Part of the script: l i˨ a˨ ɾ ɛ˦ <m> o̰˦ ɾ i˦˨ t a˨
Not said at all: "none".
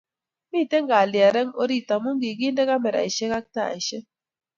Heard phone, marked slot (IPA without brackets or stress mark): ŋ